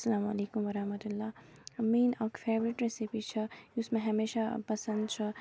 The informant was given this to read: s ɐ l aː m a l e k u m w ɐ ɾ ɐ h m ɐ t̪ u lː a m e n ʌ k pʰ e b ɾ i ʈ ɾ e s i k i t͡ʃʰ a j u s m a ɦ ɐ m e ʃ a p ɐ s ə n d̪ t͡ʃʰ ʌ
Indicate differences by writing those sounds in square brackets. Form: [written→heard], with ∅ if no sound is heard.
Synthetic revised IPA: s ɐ l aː m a l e k u m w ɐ ɾ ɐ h m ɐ t̪ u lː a m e n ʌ k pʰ e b ɾ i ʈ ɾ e s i [k→p] i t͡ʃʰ [a→ʌ] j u s m a ɦ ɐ m e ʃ a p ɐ s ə n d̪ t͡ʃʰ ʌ